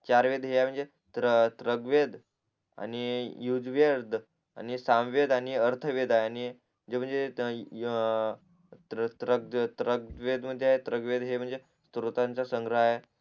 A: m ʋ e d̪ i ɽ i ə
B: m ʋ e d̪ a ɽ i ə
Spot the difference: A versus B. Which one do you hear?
B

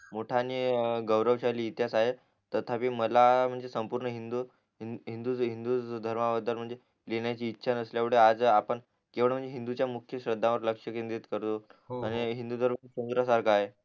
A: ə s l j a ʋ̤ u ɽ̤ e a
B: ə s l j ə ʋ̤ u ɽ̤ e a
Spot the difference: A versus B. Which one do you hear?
A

